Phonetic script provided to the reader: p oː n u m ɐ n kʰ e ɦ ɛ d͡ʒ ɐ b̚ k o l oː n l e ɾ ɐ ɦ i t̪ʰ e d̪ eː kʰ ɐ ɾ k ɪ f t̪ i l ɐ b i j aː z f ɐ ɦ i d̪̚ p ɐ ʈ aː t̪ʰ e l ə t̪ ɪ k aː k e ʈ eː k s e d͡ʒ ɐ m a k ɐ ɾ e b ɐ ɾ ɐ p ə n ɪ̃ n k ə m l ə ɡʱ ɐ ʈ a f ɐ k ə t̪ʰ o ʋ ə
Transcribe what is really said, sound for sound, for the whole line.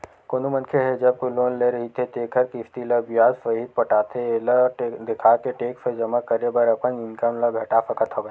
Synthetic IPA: k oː n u m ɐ n kʰ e ɦ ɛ d͡ʒ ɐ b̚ k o l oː n l e ɾ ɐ ɦ i t̪ʰ e t̪ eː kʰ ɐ ɾ k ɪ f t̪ i l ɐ b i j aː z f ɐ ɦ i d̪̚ p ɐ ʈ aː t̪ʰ e l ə d̪ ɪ kʰ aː k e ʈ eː k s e d͡ʒ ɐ m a k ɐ ɾ e b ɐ ɾ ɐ p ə n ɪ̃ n k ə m l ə ɡʱ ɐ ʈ a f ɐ k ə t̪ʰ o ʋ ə